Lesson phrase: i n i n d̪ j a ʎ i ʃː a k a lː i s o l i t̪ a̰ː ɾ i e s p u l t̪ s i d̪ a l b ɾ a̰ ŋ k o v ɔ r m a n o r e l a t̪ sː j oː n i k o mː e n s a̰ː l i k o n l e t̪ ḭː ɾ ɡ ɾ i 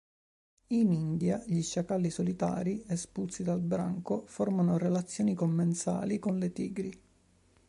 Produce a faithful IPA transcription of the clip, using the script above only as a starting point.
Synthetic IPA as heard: i n i n d̪ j a ʎ i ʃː a k a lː i s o l i t̪ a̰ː ɾ i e s p u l t̪ s i d̪ a l b ɾ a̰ ŋ k o f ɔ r m a n o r e l a t̪ sː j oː n i k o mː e n s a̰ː l i k o n l e t̪ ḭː ɡ ɾ i